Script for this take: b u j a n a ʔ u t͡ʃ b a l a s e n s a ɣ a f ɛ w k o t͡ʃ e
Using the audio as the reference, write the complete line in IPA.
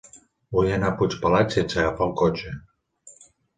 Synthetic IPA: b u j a n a p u t͡ʃ p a l a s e n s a ɣ a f a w k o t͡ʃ e